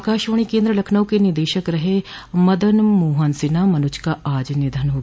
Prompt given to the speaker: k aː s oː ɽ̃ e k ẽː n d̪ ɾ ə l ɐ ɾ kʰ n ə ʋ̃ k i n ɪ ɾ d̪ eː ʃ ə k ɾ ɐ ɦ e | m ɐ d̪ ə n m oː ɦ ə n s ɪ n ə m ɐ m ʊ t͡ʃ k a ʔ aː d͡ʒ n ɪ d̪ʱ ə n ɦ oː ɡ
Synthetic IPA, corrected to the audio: k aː ʃ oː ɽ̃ i k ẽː n d̪ ɾ ə l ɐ kʰ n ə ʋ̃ k e n ɪ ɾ d̪ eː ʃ ə k ɾ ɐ ɦ e | m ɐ d̪ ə n m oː ɦ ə n s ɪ n a m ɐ n ʊ t͡ʃ k a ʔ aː d͡ʒ n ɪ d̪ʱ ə n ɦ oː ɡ